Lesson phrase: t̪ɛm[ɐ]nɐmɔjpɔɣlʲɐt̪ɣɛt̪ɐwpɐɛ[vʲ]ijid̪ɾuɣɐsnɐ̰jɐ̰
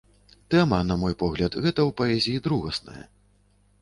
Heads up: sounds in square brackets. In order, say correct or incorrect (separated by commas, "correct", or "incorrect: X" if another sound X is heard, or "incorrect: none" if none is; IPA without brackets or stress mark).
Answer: correct, incorrect: zʲ